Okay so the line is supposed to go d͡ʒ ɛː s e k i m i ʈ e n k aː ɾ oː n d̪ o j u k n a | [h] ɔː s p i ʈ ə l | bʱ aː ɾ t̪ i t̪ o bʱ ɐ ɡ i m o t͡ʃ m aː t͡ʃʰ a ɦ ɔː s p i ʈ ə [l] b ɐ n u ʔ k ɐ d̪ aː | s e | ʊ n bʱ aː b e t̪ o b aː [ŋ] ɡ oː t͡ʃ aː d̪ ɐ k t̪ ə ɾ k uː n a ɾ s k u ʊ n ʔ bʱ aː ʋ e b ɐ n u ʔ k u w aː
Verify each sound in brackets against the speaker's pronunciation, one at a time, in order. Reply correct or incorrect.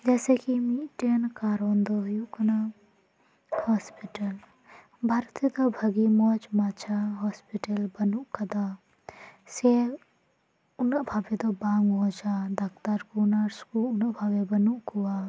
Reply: correct, correct, correct

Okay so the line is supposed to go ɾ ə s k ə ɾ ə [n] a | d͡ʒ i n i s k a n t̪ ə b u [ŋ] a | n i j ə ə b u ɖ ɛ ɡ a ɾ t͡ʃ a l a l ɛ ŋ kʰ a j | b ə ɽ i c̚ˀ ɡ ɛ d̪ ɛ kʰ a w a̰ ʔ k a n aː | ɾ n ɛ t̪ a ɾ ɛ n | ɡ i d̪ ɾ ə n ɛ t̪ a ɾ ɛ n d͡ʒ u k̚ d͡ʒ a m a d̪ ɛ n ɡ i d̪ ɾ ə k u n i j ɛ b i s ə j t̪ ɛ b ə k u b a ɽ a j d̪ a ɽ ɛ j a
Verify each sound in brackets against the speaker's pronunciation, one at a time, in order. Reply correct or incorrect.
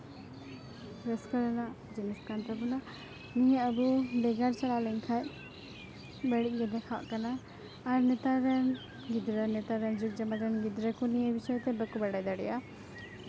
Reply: correct, incorrect

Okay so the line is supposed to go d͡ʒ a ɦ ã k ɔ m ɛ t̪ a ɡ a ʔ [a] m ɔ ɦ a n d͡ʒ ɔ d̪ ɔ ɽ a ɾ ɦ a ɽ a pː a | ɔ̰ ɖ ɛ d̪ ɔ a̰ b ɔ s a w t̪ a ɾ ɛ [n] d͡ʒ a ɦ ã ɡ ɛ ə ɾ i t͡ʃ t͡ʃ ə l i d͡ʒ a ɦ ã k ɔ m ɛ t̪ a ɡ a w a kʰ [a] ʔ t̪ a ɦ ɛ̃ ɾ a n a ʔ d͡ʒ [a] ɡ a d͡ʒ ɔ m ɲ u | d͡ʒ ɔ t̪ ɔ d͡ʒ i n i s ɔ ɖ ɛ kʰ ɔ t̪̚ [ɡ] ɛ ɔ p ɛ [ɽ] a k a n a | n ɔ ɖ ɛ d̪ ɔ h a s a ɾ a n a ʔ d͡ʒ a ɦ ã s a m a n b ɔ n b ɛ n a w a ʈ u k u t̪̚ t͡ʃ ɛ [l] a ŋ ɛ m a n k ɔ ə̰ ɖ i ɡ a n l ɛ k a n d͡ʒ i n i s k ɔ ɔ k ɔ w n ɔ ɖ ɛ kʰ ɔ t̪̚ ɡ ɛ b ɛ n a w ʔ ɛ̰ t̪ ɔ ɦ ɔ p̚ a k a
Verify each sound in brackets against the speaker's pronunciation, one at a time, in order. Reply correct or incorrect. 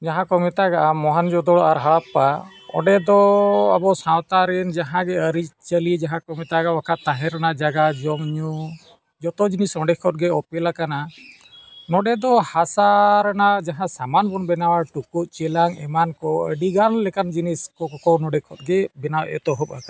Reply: correct, correct, correct, correct, correct, incorrect, correct

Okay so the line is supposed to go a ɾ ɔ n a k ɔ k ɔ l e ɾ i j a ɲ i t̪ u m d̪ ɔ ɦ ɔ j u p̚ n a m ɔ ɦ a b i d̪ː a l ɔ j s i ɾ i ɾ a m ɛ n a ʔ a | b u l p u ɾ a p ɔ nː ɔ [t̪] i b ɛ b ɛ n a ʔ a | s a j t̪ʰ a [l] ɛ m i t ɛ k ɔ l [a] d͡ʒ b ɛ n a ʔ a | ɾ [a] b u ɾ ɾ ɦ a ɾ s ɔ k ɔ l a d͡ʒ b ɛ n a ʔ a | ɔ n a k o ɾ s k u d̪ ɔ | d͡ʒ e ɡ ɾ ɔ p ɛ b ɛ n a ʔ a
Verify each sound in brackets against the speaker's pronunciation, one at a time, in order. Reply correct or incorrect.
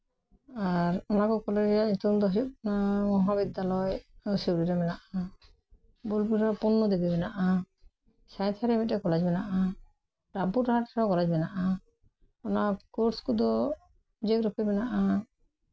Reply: incorrect, incorrect, correct, correct

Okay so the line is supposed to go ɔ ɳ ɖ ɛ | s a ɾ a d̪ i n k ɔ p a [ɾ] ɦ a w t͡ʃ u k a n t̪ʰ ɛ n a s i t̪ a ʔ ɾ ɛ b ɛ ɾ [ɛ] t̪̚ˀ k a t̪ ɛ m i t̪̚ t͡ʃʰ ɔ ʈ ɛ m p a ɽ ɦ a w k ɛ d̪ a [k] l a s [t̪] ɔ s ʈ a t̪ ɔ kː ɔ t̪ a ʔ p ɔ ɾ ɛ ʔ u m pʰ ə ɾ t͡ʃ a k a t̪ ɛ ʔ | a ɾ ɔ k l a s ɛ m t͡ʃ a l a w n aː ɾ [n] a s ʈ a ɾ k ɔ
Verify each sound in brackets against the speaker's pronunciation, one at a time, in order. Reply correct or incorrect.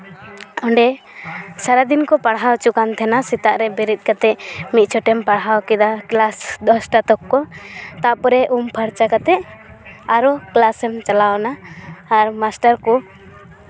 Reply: incorrect, incorrect, correct, incorrect, incorrect

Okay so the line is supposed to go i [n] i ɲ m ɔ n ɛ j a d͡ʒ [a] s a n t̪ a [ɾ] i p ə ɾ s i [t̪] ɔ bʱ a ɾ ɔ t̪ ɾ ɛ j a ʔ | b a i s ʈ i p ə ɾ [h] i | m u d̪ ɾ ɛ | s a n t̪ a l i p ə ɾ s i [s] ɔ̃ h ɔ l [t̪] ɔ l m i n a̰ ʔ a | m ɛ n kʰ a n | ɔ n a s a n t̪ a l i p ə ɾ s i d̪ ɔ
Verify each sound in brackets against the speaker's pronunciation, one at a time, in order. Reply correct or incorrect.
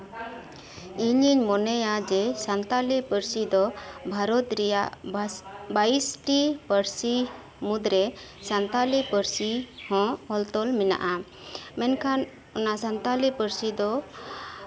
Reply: incorrect, incorrect, incorrect, incorrect, incorrect, incorrect, correct

